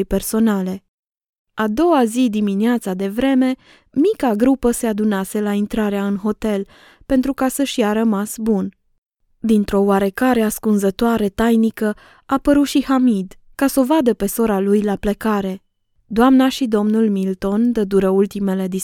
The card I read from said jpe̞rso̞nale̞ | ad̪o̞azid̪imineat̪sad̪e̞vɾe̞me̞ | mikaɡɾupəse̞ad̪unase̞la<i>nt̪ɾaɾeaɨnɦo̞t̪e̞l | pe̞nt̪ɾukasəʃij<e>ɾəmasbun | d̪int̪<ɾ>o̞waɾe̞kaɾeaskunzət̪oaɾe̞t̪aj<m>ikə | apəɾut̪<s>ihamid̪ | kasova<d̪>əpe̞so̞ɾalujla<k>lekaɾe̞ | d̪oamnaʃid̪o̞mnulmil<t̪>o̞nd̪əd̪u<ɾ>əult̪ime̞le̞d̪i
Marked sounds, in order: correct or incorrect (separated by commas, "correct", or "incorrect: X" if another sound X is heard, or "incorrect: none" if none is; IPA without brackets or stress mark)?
correct, incorrect: a, correct, incorrect: n, incorrect: ʃ, correct, incorrect: p, correct, correct